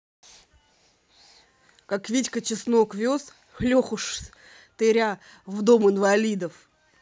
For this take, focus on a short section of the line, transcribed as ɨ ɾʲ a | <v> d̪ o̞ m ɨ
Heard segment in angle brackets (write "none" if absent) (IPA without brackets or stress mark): v